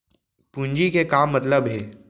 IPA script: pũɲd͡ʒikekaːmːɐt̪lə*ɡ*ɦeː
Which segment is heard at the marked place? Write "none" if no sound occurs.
b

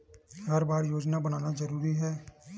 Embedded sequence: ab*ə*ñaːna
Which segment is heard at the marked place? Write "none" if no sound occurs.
ə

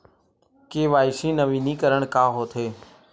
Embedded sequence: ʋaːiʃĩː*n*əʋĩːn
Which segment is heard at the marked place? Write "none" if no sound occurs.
n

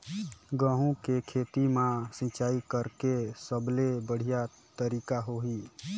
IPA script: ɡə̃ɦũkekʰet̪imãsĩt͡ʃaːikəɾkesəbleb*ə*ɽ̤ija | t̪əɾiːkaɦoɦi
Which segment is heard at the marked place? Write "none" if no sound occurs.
ə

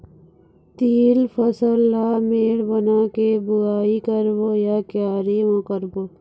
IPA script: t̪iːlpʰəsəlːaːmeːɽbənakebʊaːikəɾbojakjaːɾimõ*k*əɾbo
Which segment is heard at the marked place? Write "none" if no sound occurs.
k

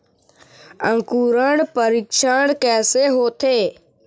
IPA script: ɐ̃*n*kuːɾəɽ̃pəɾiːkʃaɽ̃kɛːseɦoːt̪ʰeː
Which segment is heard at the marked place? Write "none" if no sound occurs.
ŋ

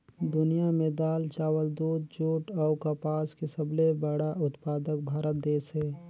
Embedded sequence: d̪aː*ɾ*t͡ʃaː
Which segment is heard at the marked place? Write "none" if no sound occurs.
l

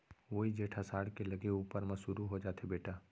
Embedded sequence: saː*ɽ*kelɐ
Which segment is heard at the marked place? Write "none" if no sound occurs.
ɽ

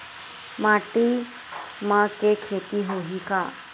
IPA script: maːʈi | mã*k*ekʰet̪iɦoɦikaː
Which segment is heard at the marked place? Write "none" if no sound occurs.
k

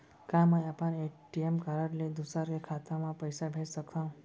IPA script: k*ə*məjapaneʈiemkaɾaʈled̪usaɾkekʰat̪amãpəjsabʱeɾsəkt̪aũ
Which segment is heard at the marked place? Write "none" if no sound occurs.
a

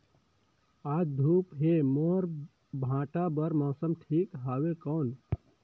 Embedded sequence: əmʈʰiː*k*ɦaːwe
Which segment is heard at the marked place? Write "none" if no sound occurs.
k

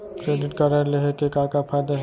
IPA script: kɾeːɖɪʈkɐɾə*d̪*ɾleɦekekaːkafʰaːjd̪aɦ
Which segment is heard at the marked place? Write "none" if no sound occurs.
none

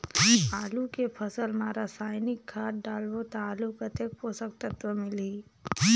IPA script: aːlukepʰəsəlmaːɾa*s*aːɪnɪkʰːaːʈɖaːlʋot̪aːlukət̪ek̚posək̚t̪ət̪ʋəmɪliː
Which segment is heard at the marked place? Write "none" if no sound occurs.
s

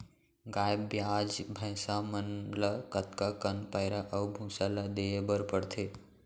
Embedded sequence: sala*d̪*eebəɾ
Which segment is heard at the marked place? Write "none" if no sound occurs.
d̪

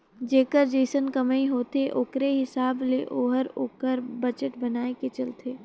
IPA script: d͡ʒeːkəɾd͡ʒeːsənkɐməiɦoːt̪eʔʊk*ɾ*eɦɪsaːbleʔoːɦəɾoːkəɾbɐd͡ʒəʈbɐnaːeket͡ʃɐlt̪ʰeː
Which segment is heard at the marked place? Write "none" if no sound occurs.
ɾ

